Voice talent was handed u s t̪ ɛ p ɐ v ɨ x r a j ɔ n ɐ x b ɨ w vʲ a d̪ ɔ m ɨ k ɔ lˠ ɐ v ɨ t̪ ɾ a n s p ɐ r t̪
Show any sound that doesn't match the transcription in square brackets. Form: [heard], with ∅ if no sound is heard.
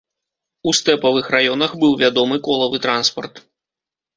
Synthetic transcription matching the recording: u s t̪ ɛ p ɐ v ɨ x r a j ɔ n ɐ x b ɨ w vʲ a d̪ ɔ m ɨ k ɔ lˠ ɐ v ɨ t̪ ɾ a n s p ɐ r t̪